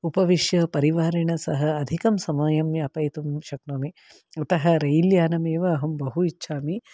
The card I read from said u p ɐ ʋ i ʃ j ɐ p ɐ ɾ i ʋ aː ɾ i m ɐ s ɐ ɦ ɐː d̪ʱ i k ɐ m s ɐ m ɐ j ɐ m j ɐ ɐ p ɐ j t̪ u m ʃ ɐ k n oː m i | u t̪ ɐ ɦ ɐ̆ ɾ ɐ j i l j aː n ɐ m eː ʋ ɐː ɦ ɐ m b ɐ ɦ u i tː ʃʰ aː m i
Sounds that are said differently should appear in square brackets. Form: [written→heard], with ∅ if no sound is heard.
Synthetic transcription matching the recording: u p ɐ ʋ i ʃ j ɐ p ɐ ɾ i ʋ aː ɾ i [m→ɳ] ɐ s ɐ ɦ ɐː d̪ʱ i k ɐ m s ɐ m ɐ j ɐ m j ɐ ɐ p ɐ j t̪ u m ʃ ɐ k n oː m i | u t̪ ɐ ɦ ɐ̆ ɾ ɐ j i l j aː n ɐ m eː ʋ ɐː ɦ ɐ m b ɐ ɦ u i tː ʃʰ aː m i